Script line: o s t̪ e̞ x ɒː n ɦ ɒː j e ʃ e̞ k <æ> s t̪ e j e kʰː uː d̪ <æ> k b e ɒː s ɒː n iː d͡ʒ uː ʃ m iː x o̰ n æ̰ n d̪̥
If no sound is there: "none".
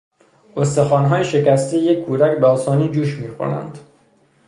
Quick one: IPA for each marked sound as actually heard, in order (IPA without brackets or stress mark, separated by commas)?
æ, æ